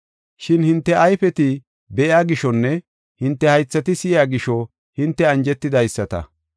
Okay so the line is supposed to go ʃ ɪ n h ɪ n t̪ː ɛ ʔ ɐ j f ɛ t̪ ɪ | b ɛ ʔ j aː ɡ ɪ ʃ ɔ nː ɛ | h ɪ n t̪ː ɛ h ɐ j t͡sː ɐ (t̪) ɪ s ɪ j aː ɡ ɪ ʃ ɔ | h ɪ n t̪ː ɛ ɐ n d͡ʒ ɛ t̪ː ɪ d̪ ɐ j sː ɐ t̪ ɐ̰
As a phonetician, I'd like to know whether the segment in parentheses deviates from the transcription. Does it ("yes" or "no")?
no